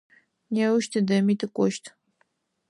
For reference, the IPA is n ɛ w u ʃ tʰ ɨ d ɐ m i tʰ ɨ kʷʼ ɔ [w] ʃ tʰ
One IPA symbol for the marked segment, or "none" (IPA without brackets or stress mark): none